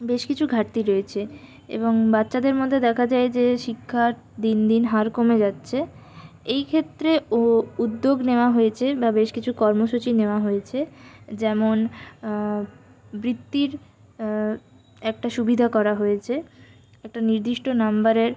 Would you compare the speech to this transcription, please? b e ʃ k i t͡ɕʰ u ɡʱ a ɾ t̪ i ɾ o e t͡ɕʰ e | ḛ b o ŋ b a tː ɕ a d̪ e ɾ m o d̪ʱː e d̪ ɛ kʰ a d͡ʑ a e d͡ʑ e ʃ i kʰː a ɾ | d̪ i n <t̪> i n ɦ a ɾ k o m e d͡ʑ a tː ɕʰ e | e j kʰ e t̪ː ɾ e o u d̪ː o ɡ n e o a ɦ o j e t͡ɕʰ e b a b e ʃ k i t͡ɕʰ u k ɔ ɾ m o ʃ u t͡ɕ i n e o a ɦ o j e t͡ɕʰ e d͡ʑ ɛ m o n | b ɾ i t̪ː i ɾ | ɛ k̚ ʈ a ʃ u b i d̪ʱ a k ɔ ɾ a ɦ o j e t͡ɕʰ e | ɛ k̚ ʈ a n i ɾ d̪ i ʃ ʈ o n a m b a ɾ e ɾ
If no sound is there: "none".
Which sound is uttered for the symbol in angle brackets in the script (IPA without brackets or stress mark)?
d̪